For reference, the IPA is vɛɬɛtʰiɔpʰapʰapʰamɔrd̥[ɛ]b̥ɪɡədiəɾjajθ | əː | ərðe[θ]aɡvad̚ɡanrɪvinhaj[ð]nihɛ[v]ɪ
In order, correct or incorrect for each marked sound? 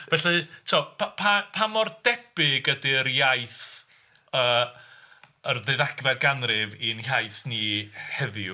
correct, incorrect: ð, incorrect: θ, incorrect: ð

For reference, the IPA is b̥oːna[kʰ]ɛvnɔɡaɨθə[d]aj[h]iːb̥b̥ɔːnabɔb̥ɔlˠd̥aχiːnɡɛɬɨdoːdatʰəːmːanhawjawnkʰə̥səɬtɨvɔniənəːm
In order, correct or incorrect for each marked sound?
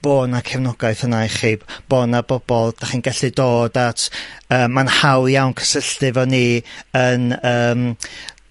correct, incorrect: n, incorrect: χ

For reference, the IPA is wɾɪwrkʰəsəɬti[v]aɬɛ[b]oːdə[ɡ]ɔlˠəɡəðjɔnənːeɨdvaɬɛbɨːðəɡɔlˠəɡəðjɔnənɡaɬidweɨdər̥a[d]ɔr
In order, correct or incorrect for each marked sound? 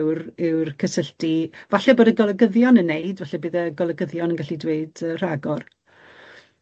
correct, correct, correct, incorrect: ɡ

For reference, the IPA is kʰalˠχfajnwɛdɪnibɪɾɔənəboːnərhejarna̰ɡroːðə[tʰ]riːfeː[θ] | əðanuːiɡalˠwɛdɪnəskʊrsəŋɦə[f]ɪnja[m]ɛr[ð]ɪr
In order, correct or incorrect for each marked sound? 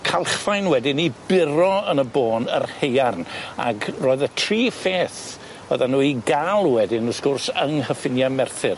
correct, correct, correct, correct, incorrect: θ

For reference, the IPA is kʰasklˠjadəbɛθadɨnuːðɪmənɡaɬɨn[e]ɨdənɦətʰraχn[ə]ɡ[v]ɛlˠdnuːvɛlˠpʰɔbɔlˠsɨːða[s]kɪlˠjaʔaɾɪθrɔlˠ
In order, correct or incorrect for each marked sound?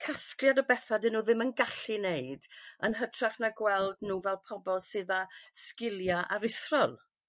correct, incorrect: a, incorrect: w, correct

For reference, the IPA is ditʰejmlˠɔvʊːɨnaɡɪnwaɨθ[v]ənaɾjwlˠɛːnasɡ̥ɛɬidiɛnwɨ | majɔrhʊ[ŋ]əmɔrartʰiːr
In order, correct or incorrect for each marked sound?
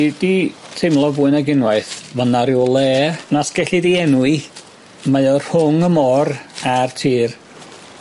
correct, correct

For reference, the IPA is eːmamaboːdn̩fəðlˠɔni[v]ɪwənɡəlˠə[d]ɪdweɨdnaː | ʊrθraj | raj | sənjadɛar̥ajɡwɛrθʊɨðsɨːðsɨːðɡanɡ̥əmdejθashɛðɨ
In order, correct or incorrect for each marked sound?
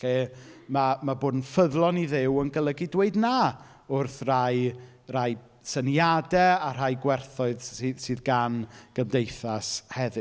incorrect: ð, incorrect: ɡ

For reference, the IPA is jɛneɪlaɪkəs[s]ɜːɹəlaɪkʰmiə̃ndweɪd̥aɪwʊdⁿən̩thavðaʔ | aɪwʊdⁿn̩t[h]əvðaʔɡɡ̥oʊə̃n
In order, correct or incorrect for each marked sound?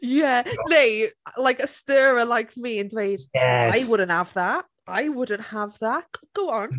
incorrect: t, correct

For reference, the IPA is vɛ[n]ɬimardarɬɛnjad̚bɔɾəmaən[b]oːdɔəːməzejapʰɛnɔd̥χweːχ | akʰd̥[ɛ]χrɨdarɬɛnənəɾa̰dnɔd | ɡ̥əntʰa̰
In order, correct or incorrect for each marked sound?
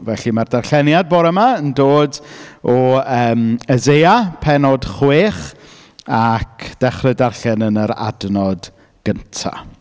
incorrect: none, incorrect: d, correct

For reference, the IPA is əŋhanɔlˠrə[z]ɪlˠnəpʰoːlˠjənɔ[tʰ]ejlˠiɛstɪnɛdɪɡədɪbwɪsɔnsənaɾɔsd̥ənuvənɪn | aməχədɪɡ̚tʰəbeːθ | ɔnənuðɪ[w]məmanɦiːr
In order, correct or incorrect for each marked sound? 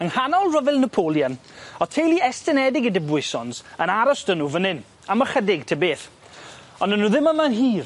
incorrect: v, correct, incorrect: none

